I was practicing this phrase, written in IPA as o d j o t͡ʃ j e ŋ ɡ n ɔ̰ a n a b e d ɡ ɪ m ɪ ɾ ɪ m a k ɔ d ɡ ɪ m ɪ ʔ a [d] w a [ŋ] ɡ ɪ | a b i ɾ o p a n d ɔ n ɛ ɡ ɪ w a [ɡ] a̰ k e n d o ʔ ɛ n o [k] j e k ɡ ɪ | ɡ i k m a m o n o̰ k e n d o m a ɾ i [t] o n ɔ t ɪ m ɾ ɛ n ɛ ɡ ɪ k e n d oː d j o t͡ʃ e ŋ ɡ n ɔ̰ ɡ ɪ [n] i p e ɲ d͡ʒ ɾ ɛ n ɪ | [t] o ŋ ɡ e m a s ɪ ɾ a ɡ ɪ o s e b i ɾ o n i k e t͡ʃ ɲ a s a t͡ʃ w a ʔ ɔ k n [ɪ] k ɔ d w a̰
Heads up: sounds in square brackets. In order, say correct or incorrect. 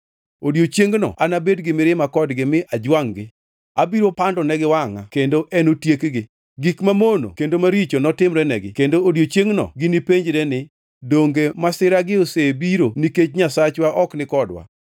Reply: incorrect, correct, incorrect, incorrect, incorrect, correct, incorrect, correct

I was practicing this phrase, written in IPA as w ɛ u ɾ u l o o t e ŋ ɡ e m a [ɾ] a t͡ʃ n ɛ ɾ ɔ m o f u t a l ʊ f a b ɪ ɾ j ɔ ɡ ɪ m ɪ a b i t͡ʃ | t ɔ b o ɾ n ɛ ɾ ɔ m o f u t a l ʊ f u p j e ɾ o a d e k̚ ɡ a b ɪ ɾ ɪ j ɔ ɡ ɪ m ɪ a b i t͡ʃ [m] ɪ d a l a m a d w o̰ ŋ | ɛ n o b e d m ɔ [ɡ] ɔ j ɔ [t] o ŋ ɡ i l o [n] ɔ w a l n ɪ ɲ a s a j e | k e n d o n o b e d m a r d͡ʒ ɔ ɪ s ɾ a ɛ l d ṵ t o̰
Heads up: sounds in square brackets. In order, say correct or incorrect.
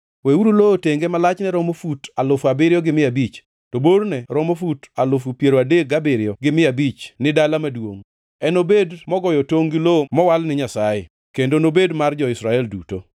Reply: incorrect, incorrect, correct, correct, incorrect

